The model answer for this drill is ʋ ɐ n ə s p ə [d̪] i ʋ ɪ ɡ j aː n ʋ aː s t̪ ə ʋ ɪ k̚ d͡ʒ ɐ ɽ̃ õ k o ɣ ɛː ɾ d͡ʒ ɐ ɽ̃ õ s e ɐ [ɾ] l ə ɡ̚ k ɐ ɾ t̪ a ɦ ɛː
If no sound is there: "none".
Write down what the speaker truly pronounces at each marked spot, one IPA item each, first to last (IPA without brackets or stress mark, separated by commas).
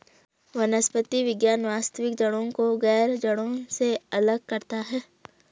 t̪, none